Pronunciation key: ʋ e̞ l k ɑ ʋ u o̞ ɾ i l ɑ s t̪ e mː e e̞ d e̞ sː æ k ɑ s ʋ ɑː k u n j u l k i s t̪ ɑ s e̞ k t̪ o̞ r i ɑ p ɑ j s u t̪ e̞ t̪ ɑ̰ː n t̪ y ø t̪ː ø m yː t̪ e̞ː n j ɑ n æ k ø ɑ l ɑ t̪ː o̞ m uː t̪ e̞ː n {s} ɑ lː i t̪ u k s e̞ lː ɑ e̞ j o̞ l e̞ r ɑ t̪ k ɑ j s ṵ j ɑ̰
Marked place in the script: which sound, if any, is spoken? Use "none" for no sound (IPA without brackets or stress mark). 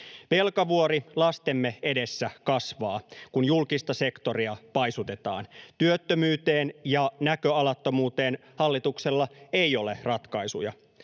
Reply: h